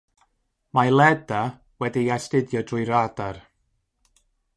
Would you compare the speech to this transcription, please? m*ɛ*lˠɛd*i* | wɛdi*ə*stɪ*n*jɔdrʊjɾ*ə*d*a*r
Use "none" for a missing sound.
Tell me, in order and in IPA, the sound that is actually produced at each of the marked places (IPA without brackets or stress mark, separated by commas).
a, a, a, d, a, a